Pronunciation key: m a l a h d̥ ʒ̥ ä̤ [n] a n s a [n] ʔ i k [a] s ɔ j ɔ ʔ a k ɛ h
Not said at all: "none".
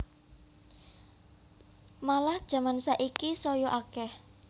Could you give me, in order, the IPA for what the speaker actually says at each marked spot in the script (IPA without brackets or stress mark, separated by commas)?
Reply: m, none, i